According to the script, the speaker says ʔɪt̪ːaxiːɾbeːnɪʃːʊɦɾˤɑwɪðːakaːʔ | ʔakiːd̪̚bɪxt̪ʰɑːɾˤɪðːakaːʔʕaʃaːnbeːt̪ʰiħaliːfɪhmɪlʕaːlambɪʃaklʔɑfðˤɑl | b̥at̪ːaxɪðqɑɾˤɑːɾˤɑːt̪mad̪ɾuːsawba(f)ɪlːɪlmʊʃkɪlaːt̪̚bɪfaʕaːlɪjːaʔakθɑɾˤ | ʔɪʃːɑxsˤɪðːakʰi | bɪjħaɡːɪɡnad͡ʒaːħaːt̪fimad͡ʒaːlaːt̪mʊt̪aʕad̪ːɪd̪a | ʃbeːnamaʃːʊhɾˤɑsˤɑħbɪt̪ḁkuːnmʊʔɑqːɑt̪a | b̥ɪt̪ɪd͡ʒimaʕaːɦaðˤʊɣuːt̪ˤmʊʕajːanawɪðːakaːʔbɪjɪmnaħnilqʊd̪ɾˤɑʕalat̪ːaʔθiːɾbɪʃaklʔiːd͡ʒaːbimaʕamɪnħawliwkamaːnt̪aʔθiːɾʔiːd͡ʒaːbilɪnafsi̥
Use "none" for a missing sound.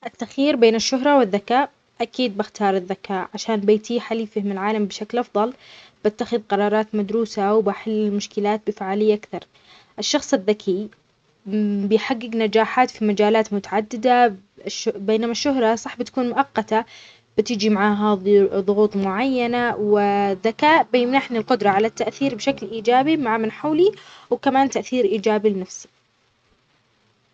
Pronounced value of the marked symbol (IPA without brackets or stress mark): ħ